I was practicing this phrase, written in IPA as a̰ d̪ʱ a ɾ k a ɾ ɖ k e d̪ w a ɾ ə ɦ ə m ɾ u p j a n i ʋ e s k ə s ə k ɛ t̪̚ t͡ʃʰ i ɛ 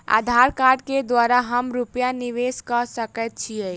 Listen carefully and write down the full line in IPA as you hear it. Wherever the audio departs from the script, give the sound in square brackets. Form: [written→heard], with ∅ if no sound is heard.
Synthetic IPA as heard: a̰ d̪ʱ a ɾ k a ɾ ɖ k e d̪ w a ɾ [ə→a] ɦ ə m ɾ u p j a n i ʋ e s k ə s ə k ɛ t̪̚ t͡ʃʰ i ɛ